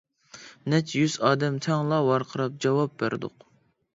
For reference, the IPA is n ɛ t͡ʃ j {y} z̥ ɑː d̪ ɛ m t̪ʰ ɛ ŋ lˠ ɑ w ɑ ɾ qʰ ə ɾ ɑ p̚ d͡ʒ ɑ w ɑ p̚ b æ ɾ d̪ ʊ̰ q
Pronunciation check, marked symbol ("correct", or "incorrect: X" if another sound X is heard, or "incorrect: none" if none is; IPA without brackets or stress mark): correct